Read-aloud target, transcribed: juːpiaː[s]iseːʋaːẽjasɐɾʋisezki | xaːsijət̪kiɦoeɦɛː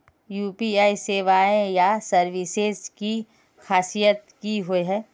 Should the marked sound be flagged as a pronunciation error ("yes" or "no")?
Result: yes